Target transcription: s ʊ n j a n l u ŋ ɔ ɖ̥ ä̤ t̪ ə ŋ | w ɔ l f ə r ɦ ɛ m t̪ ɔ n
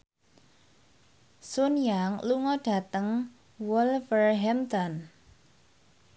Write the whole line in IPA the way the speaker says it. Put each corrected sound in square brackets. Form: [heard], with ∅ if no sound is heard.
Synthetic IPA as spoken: s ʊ n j a [ŋ] l u ŋ ɔ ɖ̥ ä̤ t̪ ə ŋ | w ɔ l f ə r ɦ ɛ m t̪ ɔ n